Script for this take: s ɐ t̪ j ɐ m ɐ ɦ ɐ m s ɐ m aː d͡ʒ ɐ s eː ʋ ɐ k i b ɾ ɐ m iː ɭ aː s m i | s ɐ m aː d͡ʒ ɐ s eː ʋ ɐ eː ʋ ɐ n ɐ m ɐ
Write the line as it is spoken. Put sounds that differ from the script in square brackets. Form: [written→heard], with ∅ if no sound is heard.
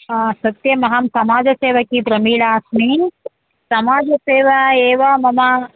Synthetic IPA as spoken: s ɐ t̪ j ɐ m ɐ ɦ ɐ m s ɐ m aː d͡ʒ ɐ s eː ʋ ɐ k i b ɾ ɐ m iː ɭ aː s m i | s ɐ m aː d͡ʒ ɐ s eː ʋ ɐ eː ʋ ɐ [n→m] ɐ m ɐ